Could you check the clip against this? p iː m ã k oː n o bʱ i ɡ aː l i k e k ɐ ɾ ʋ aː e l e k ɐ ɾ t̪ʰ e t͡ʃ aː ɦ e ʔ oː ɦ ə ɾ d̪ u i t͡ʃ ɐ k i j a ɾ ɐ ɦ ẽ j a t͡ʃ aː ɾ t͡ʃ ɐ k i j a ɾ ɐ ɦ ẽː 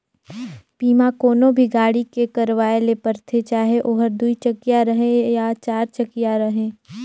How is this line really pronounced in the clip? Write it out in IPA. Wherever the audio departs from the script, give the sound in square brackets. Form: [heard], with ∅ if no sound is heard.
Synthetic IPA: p iː m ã k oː n o bʱ i ɡ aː [ɽ] i k e k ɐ ɾ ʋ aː e l e [p] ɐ ɾ t̪ʰ e t͡ʃ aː ɦ e ʔ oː ɦ ə ɾ d̪ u i t͡ʃ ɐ k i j a ɾ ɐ ɦ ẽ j a t͡ʃ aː ɾ t͡ʃ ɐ k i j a ɾ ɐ ɦ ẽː